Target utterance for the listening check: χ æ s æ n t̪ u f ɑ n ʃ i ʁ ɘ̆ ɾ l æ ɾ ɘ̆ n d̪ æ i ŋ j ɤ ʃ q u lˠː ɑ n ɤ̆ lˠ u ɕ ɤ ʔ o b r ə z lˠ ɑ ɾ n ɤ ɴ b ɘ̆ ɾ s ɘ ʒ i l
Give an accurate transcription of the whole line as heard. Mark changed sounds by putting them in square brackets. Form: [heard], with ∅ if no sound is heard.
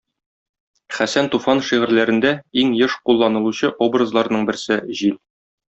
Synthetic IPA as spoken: χ æ s æ n t̪ u f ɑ n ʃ i ʁ ɘ̆ ɾ l æ ɾ ɘ̆ n d̪ æ i ŋ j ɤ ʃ q u lˠː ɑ n ɤ̆ lˠ u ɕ ɤ ʔ o b r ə z lˠ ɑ ɾ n ɤ ɴ b ɘ̆ ɾ s ɘ [ʑ] i l